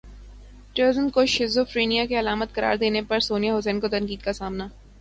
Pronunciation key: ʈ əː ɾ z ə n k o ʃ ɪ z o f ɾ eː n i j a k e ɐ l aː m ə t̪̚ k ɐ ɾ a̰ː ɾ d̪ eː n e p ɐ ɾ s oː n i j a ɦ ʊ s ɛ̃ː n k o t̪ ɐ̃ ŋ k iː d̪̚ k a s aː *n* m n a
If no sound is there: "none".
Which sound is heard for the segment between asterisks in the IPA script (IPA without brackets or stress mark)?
none